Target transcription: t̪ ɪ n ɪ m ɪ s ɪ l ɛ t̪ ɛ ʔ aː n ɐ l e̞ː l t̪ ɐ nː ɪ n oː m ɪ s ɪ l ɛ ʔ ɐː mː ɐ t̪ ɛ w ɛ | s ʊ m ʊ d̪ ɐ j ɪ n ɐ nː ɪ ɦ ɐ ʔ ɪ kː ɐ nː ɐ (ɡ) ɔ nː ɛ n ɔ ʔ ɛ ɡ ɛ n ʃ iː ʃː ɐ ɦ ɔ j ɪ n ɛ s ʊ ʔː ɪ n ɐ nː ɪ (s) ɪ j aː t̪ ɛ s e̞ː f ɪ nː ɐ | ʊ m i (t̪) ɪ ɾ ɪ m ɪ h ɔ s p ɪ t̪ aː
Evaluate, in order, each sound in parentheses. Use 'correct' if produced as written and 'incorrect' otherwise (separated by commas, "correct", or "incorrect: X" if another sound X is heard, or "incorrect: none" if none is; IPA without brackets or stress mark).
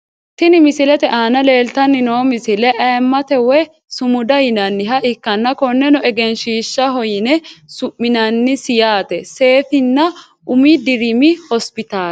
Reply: incorrect: k, correct, incorrect: d̪